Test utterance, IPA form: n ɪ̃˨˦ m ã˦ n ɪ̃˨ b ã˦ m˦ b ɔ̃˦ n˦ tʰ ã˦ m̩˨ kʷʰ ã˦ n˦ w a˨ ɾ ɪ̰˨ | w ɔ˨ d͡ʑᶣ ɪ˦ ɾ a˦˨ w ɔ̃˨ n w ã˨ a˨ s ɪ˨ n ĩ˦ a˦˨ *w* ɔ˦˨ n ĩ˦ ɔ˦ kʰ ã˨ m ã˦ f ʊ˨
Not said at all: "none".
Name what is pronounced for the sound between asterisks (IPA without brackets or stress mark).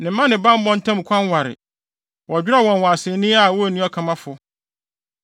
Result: w